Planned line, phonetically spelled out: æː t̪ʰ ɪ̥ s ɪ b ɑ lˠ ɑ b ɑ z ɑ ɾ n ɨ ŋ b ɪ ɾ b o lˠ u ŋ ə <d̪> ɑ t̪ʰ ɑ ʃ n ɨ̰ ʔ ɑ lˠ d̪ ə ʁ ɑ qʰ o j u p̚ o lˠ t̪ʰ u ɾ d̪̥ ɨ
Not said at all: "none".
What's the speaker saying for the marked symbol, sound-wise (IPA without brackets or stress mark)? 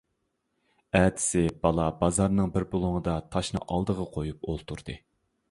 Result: d̪